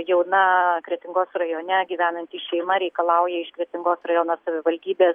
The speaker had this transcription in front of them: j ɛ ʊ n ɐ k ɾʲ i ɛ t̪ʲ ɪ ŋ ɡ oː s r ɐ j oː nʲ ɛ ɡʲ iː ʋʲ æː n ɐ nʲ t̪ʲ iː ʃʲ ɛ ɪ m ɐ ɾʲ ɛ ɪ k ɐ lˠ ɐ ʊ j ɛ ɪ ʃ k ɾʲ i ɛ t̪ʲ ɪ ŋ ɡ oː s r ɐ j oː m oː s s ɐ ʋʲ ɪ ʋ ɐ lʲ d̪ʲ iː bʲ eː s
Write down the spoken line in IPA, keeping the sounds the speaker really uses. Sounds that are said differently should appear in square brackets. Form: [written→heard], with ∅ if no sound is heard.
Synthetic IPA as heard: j ɛ ʊ n ɐ k ɾʲ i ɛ t̪ʲ ɪ ŋ ɡ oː s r ɐ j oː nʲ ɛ ɡʲ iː ʋʲ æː n ɐ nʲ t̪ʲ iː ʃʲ ɛ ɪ m ɐ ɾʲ ɛ ɪ k ɐ lˠ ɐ ʊ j ɛ ɪ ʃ k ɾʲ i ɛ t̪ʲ ɪ ŋ ɡ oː s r ɐ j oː [m→n] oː s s ɐ ʋʲ ɪ ʋ ɐ lʲ d̪ʲ iː bʲ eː s